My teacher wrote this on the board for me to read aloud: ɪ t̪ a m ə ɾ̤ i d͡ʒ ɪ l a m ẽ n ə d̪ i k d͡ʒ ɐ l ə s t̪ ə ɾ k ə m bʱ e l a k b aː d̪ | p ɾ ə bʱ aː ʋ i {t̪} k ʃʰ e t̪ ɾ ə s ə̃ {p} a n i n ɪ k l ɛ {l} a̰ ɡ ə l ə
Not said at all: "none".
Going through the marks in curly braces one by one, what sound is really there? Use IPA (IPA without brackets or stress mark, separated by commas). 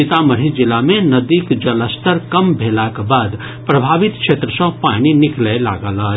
t̪, p, l